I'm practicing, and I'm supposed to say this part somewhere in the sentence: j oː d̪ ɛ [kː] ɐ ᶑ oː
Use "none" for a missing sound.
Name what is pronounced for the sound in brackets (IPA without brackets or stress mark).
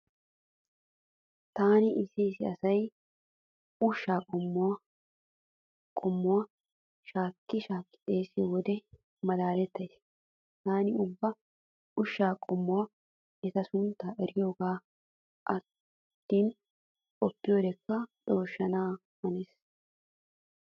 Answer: kː